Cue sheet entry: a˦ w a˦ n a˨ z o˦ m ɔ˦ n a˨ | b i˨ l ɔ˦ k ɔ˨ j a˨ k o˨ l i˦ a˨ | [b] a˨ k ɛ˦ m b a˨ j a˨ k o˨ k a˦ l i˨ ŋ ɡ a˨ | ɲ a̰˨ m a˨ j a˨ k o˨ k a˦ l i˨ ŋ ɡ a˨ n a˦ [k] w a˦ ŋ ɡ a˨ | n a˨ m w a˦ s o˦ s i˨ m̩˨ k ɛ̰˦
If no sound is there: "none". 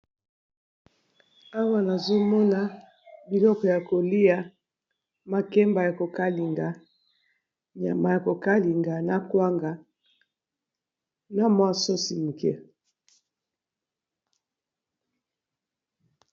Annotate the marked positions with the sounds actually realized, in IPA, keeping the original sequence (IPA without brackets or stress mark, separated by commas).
m, k